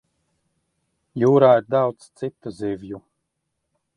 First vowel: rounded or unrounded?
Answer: rounded